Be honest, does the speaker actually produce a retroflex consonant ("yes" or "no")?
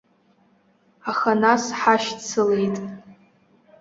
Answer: no